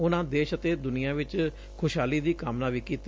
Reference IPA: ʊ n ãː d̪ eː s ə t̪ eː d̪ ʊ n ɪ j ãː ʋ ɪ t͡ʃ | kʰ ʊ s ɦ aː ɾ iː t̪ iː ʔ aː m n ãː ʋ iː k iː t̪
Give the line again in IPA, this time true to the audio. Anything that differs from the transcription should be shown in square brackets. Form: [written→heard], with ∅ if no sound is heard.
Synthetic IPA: ʊ n ãː d̪ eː [s→ʃ] ə t̪ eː d̪ ʊ n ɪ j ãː ʋ ɪ t͡ʃ | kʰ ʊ [s→ʃ] ɦ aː [ɾ→l] iː [t̪→d̪] iː [ʔ→k] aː m n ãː ʋ iː k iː t̪

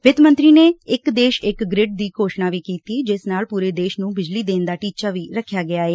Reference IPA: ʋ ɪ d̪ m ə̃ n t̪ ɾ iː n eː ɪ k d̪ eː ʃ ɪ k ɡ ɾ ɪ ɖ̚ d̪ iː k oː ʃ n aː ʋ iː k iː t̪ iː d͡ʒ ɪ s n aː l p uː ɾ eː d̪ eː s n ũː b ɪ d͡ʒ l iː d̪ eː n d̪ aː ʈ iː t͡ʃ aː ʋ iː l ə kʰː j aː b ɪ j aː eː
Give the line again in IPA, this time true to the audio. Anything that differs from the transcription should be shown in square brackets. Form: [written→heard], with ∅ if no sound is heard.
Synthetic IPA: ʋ ɪ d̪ m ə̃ n t̪ ɾ iː n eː ɪ k d̪ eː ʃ ɪ k ɡ ɾ ɪ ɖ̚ d̪ iː k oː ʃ n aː ʋ iː k iː t̪ iː d͡ʒ ɪ s n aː l p uː ɾ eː d̪ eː [s→ʃ] n ũː b ɪ d͡ʒ l iː d̪ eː n d̪ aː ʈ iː t͡ʃ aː ʋ iː [l→ɾ] ə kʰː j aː [b→ɡ] ɪ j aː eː

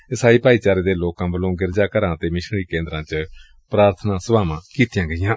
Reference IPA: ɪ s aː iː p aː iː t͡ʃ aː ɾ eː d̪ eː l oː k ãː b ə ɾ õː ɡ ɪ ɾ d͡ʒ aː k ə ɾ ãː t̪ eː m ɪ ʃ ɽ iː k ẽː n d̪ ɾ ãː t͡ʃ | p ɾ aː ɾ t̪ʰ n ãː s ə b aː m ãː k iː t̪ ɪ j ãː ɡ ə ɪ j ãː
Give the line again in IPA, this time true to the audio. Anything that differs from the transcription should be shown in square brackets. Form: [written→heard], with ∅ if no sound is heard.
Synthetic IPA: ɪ s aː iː p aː iː t͡ʃ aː ɾ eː d̪ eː l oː k ãː b ə [ɾ→l] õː ɡ ɪ ɾ d͡ʒ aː k ə ɾ ãː t̪ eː m ɪ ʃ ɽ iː k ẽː n d̪ ɾ ãː t͡ʃ | p ɾ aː ɾ t̪ʰ n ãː s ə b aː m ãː k iː t̪ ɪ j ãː ɡ ə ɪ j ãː

